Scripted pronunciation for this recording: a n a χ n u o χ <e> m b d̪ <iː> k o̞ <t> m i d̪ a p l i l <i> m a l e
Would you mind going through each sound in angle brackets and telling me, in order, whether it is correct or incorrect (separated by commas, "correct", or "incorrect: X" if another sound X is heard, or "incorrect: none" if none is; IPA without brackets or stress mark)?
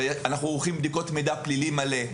incorrect: i, incorrect: i, correct, correct